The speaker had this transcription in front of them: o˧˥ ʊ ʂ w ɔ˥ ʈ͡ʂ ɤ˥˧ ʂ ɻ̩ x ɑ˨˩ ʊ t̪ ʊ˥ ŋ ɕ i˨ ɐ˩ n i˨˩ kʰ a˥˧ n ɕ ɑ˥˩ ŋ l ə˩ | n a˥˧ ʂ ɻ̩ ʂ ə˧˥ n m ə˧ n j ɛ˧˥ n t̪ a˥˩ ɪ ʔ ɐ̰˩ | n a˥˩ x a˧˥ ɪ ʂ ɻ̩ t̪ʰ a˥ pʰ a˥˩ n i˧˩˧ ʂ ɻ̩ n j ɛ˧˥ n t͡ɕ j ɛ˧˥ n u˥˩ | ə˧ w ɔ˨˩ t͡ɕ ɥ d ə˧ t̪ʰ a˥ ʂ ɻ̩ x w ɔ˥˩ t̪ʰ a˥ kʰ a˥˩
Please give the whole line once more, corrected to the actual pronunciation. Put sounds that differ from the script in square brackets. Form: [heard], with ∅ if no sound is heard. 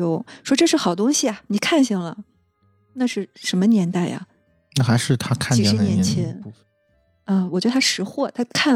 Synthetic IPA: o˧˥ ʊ ʂ w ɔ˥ ʈ͡ʂ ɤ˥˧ ʂ ɻ̩ x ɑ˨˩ ʊ t̪ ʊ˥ ŋ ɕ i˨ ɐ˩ n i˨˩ kʰ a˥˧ n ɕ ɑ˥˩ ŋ l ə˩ | n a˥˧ ʂ ɻ̩ ʂ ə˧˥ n m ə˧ n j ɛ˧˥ n t̪ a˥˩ ɪ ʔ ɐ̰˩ | n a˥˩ x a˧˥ ɪ ʂ ɻ̩ t̪ʰ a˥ [kʰ] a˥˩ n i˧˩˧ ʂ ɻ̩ n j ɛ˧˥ n [t͡ɕʰ] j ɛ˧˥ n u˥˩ | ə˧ w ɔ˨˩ t͡ɕ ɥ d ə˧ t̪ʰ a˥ ʂ ɻ̩ x w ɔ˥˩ t̪ʰ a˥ kʰ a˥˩